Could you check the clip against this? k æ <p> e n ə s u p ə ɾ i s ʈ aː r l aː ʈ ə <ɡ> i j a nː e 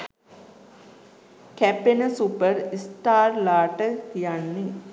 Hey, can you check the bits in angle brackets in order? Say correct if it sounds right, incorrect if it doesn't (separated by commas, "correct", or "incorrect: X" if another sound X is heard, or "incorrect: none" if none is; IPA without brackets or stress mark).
correct, incorrect: k